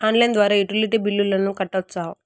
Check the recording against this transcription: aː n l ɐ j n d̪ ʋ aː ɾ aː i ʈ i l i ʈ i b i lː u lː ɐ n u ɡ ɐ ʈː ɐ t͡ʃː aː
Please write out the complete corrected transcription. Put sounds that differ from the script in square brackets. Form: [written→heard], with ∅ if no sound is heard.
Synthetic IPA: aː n l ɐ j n d̪ ʋ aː ɾ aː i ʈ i l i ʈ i b i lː u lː ɐ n u [ɡ→k] ɐ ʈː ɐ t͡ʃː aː